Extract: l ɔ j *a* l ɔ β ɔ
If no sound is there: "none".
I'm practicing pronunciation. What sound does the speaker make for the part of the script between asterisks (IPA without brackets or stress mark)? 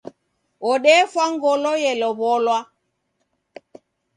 ɛ